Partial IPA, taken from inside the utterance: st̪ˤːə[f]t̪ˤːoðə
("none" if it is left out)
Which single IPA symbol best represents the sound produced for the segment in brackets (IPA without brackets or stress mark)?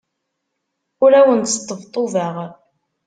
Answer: v